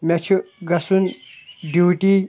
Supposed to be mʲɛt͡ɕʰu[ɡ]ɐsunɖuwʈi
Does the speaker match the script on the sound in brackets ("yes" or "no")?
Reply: yes